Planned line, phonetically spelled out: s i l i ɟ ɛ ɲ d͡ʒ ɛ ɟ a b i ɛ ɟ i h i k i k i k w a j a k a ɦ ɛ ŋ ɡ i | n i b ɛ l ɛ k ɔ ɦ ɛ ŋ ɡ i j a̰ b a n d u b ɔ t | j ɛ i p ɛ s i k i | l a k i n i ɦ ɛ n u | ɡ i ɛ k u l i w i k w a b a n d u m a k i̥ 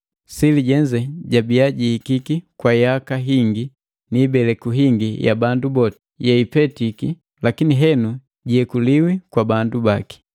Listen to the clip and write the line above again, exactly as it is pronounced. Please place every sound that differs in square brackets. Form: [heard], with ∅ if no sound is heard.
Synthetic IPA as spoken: s i l i ɟ ɛ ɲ d͡ʒ ɛ ɟ a b i [a] ɟ i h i k i k i k w a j a k a ɦ [i] ŋ ɡ i | n i b ɛ l ɛ k [u] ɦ [i] ŋ ɡ i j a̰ b a n d u b ɔ t | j ɛ i p ɛ [t] i k i | l a k i n i ɦ ɛ n u | [ɟ] i ɛ k u l i w i k w a b a n d u [b] a k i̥